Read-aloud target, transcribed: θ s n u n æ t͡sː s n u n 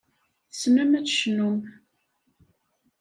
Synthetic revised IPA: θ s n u m æ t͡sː ʃ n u m